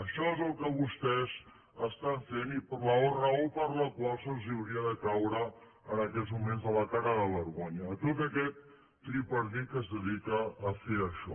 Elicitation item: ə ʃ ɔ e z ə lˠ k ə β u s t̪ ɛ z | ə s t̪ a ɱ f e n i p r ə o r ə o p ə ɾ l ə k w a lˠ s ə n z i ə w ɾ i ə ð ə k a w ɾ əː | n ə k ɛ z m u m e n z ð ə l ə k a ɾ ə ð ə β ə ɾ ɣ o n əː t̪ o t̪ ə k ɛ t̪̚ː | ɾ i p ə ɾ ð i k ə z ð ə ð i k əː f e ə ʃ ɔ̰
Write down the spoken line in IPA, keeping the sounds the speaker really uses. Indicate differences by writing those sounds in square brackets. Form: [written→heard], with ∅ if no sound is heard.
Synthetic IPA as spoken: ə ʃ ɔ e z ə lˠ k ə β u s t̪ ɛ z | ə s t̪ a ɱ f e n i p [r→l] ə o r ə o p ə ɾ l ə k w a lˠ s ə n z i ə w ɾ i ə ð ə k a w ɾ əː | n ə k ɛ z m u m e n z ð ə l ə k a ɾ ə ð ə β ə ɾ ɣ o [n→ɲ] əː t̪ o t̪ ə k ɛ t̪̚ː | ɾ i p ə ɾ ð i k ə z ð ə ð i k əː f e ə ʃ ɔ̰